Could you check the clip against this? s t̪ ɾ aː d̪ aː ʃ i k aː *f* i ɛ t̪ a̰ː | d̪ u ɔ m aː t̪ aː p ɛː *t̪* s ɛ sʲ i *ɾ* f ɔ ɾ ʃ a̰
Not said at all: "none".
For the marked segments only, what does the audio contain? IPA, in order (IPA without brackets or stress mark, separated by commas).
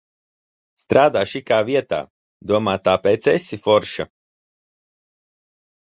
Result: v, t̪, none